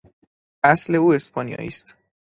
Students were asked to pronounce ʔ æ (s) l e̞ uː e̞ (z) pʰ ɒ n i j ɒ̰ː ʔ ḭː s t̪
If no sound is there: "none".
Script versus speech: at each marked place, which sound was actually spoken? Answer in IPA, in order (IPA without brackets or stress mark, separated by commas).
s, s